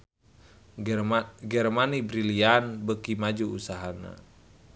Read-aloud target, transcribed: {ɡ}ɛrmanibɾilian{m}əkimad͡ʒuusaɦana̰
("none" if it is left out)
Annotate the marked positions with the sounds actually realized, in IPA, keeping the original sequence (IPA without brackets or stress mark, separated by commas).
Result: ɡ, b